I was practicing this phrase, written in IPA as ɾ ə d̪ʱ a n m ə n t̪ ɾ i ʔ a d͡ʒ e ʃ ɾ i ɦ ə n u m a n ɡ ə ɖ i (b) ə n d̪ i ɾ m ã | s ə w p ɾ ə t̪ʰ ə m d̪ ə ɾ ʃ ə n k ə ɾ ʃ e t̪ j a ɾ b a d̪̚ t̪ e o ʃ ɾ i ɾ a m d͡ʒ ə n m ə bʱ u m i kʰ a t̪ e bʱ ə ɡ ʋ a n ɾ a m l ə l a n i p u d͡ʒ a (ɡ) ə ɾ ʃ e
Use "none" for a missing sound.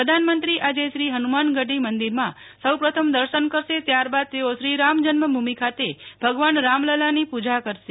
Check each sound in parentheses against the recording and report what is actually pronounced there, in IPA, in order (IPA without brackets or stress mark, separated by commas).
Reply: m, k